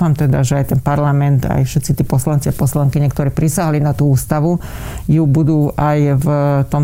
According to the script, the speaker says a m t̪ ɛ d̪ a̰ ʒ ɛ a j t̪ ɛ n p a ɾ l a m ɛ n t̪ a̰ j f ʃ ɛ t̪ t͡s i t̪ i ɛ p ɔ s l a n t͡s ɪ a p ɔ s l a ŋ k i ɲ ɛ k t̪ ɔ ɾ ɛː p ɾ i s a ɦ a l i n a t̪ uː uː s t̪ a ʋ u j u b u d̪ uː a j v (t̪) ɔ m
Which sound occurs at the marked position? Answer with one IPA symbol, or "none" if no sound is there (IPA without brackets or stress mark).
t̪